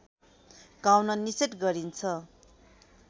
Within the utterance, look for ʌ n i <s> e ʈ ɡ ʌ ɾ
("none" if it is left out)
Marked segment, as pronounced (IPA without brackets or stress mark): s